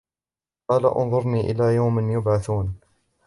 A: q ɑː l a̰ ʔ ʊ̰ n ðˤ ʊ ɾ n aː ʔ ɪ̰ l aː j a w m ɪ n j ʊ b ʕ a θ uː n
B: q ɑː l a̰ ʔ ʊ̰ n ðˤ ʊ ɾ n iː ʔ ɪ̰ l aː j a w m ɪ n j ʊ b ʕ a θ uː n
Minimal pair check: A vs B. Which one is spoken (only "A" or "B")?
B